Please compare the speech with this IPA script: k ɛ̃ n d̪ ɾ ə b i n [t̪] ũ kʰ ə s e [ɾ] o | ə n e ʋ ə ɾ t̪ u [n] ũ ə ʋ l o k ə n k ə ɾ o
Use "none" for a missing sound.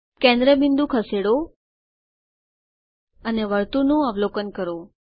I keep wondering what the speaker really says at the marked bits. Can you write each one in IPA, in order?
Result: d̪, ɽ, n

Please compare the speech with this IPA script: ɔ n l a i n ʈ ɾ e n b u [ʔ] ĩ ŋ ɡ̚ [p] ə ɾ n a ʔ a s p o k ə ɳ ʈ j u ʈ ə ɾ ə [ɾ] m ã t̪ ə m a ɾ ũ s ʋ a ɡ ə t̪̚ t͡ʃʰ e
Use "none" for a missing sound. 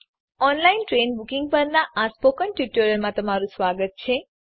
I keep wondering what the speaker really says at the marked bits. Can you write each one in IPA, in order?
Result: k, p, l

